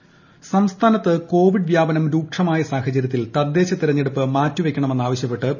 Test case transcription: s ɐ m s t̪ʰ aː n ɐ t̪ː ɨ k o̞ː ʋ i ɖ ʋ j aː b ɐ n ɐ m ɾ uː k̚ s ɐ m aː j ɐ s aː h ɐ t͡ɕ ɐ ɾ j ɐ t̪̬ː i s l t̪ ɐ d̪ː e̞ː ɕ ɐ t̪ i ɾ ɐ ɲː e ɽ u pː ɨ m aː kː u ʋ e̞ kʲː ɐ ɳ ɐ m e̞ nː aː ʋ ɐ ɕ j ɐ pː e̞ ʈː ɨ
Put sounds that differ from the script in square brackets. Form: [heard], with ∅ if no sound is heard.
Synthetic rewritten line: s ɐ m s t̪ʰ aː n ɐ t̪ː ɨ k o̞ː ʋ i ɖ ʋ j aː b ɐ n ɐ m ɾ uː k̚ [ʂ] ɐ m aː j ɐ s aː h ɐ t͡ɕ ɐ ɾ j ɐ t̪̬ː i [∅] l t̪ ɐ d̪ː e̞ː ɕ ɐ t̪ i ɾ ɐ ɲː e ɽ u pː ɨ m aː [tː] u ʋ e̞ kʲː ɐ ɳ ɐ m e̞ nː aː ʋ ɐ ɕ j ɐ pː e̞ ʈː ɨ

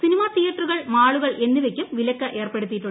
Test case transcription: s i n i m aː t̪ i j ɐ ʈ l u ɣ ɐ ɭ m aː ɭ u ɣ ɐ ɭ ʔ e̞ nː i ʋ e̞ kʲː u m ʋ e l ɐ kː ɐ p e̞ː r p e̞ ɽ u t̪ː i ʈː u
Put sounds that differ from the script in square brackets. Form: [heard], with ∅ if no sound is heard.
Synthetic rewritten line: s i n i m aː t̪ i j ɐ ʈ [r] u ɣ ɐ ɭ m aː ɭ u ɣ ɐ ɭ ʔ e̞ nː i ʋ e̞ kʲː u m ʋ [i] l ɐ kː ɐ [ʔ] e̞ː r p e̞ ɽ u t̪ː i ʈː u

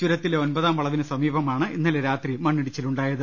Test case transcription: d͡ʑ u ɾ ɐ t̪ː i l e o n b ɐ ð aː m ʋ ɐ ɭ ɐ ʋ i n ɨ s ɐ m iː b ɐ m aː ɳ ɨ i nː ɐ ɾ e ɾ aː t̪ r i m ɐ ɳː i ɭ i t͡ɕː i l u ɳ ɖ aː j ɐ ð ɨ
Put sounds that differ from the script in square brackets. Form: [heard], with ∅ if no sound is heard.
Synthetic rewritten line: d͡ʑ u ɾ ɐ t̪ː i l e o n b ɐ ð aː m ʋ ɐ ɭ ɐ ʋ i n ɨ s ɐ m iː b ɐ m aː ɳ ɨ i nː ɐ [l] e ɾ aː t̪ r i m ɐ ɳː i [ɽ] i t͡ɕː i l u ɳ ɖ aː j ɐ ð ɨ

